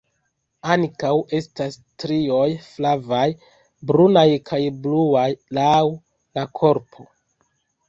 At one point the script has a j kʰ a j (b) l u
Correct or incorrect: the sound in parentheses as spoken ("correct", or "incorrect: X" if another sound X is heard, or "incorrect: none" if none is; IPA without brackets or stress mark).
correct